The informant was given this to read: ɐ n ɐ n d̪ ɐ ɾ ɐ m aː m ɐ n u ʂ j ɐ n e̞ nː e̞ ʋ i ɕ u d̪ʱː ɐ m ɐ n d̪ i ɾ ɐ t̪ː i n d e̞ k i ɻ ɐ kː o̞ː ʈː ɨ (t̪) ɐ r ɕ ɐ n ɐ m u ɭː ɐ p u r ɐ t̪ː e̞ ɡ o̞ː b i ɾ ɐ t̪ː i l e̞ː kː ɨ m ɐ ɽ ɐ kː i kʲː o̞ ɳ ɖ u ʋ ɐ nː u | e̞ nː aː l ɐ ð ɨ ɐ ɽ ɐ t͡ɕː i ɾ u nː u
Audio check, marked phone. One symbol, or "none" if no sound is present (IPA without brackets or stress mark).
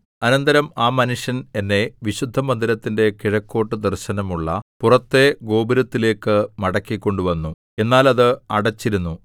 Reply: d̪